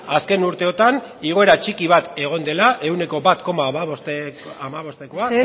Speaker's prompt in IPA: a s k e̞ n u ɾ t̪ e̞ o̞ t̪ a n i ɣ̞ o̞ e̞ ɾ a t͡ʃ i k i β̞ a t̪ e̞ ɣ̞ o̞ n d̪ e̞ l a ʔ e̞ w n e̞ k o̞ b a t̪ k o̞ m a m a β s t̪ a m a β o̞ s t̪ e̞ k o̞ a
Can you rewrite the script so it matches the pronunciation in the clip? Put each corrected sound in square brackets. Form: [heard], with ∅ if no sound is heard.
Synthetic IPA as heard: a s k e̞ n u ɾ t̪ e̞ o̞ t̪ a n i ɣ̞ o̞ e̞ ɾ a t͡ʃ i k i β̞ a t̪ e̞ ɣ̞ o̞ n d̪ e̞ l a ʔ e̞ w n e̞ k o̞ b a t̪ k o̞ m a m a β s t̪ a m a β o̞ s t̪ e̞ k o̞ a